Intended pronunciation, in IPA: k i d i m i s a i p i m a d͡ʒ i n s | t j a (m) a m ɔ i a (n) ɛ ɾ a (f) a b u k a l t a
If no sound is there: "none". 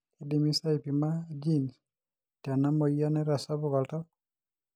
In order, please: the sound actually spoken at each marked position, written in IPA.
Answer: n, n, s

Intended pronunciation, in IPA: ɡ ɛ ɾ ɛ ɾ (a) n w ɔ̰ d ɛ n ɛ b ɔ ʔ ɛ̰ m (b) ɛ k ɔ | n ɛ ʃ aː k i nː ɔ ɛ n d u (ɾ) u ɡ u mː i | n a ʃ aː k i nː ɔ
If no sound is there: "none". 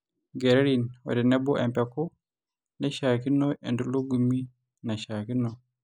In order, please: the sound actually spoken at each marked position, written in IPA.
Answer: i, p, l

